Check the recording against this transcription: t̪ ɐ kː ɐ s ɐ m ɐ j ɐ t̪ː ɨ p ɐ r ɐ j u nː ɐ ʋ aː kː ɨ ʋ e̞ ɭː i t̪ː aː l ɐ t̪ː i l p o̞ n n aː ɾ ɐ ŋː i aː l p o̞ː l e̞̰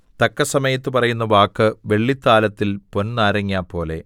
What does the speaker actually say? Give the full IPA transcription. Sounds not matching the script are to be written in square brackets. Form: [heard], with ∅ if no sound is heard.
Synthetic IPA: t̪ ɐ kː ɐ s ɐ m ɐ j ɐ t̪ː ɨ p ɐ r ɐ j u nː ɐ ʋ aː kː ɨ ʋ e̞ ɭː i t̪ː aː l ɐ t̪ː i l p o̞ n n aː ɾ ɐ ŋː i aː [∅] p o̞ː l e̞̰

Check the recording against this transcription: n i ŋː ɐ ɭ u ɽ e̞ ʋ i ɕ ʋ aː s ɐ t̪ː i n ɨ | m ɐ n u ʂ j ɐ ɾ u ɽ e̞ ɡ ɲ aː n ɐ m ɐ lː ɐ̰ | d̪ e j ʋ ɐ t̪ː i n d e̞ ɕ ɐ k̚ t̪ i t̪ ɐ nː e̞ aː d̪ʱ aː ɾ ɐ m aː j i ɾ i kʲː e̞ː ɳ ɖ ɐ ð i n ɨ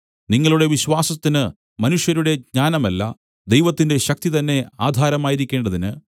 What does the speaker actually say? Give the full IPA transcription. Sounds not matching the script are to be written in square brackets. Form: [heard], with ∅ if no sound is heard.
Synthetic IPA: n i ŋː ɐ ɭ u ɽ e̞ ʋ i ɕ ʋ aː s ɐ t̪ː i n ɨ | m ɐ n u ʂ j ɐ ɾ u ɽ e̞ ɡ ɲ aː n ɐ m ɐ lː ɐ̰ | d̪ e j ʋ ɐ t̪ː i n d e̞ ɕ ɐ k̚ t̪ i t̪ ɐ nː e̞ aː d̪ʱ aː ɾ ɐ m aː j i ɾ i kʲː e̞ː ɳ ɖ ɐ ð i n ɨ

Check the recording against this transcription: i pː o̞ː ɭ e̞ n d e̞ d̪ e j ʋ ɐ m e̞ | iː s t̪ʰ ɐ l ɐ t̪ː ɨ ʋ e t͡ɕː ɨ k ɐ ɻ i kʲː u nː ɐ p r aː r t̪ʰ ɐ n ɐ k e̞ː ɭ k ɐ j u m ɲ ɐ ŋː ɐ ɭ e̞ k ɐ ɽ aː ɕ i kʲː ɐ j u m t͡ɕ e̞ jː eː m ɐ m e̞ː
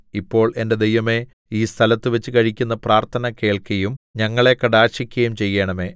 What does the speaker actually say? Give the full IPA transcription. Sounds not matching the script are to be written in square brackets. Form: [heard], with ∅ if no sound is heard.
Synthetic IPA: i pː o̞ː ɭ e̞ n d e̞ d̪ e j ʋ ɐ m e̞ | iː s t̪ʰ ɐ l ɐ t̪ː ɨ ʋ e t͡ɕː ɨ k ɐ ɻ i kʲː u nː ɐ p r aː r t̪ʰ ɐ n ɐ k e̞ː ɭ k ɐ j u m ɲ ɐ ŋː ɐ ɭ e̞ k ɐ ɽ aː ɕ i kʲː ɐ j u m t͡ɕ e̞ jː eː [ɳ] ɐ m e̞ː

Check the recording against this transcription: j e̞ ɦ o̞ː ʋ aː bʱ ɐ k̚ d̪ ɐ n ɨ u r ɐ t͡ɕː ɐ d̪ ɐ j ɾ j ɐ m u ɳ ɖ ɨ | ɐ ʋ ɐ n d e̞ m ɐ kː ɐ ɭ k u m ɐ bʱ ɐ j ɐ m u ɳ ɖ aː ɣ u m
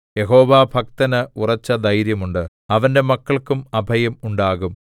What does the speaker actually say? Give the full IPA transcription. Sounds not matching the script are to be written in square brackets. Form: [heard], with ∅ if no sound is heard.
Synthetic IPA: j e̞ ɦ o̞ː ʋ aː bʱ ɐ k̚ [t̪] ɐ n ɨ u r ɐ t͡ɕː ɐ d̪ ɐ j ɾ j ɐ m u ɳ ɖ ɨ | ɐ ʋ ɐ n d e̞ m ɐ kː ɐ ɭ k u m ɐ bʱ ɐ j ɐ m u ɳ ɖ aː ɣ u m

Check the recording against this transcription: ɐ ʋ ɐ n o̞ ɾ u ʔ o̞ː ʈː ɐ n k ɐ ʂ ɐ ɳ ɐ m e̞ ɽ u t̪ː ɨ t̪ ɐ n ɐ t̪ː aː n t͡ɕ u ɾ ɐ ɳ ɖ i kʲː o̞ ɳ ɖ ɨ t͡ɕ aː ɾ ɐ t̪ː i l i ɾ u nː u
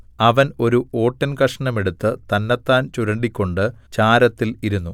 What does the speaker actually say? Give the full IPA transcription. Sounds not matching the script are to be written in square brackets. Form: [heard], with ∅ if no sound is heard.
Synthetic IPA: ɐ ʋ ɐ n o̞ ɾ u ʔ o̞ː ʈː ɐ n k ɐ ʂ ɐ ɳ ɐ m e̞ ɽ u t̪ː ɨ t̪ ɐ [nː] ɐ t̪ː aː n t͡ɕ u ɾ ɐ ɳ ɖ i kʲː o̞ ɳ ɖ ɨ t͡ɕ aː ɾ ɐ t̪ː i l i ɾ u nː u

